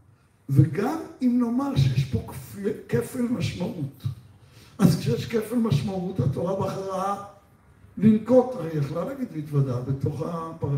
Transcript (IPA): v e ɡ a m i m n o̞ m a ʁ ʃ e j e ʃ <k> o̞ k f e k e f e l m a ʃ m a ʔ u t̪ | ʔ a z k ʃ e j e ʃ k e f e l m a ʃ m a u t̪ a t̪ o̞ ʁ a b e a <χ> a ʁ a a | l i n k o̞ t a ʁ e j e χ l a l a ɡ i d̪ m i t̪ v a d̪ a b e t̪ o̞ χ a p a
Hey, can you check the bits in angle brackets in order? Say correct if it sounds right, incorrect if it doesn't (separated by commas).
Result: incorrect, correct